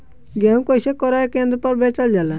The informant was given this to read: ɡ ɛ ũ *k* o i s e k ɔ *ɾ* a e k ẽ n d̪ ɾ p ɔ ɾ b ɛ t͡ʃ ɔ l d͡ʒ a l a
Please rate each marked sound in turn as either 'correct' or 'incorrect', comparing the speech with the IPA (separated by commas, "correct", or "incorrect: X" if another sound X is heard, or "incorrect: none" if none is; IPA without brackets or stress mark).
correct, correct